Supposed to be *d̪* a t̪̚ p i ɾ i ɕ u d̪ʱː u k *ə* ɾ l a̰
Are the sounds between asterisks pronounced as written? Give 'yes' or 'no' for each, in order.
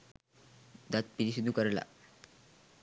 yes, yes

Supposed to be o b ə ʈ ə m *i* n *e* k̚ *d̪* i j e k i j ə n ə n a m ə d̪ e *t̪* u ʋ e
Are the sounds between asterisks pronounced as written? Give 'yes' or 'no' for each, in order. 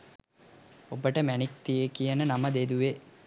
no, no, no, no

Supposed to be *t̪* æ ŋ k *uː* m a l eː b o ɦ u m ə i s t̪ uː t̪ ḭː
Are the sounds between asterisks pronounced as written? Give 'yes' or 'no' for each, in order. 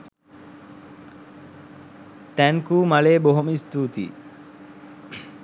yes, yes

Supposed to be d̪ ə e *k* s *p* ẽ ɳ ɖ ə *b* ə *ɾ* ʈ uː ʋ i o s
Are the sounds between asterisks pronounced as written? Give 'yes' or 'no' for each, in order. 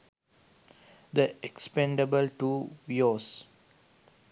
yes, yes, yes, no

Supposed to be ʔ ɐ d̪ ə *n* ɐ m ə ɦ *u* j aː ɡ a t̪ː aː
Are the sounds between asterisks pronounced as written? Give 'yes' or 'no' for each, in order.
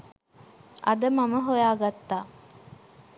no, no

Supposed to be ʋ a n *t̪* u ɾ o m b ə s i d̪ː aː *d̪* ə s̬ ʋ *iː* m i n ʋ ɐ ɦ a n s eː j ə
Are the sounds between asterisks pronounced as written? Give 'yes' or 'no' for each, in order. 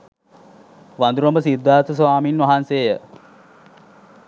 no, no, no

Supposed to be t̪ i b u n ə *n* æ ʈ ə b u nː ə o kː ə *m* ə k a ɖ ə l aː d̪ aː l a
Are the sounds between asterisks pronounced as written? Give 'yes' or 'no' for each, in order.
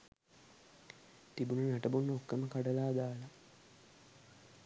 yes, yes

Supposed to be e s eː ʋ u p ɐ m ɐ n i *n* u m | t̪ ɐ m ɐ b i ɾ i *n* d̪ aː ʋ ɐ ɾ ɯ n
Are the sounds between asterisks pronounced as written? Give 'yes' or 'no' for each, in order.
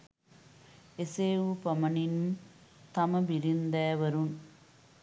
yes, yes

